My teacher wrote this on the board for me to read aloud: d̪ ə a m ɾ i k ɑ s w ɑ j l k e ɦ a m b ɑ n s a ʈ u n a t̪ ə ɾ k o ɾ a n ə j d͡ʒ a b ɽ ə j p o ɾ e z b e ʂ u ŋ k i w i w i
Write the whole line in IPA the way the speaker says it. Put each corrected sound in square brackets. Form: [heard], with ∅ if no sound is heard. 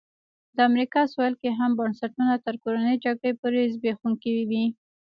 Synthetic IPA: d̪ ə a m ɾ i k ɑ s w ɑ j l k e ɦ a m b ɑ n s a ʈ u n a t̪ ə ɾ k o ɾ a n ə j d͡ʒ a [ɡ] ɽ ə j p o ɾ e z b e [x] u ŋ k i w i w i